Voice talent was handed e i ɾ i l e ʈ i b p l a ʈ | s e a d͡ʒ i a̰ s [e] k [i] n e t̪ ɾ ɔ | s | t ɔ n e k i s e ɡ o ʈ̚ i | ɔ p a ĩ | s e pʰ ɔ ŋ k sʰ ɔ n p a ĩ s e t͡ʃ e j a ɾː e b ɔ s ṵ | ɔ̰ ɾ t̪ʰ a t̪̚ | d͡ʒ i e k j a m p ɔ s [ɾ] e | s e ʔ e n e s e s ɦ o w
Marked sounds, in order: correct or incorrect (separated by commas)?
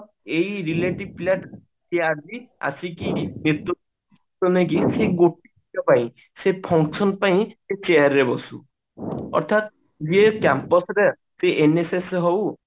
incorrect, correct, correct